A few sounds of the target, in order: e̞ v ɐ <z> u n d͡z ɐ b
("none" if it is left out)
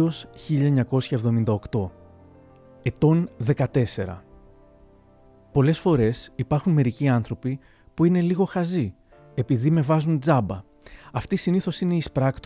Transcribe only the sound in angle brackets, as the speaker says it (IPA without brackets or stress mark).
z